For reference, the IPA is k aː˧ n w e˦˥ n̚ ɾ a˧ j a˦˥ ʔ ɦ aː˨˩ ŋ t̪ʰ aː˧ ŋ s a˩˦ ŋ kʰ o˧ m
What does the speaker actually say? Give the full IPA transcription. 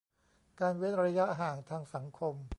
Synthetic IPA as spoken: k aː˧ n w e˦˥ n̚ ɾ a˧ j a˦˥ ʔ ɦ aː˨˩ ŋ t̪ʰ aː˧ ŋ s a˩˦ ŋ kʰ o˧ m